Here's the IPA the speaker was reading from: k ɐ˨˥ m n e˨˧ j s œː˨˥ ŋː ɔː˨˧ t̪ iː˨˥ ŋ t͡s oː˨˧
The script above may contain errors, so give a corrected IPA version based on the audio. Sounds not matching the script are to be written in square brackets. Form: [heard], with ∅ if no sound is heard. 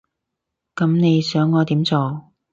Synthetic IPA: k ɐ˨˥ m n e˨˧ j s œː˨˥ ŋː ɔː˨˧ t̪ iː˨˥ [m] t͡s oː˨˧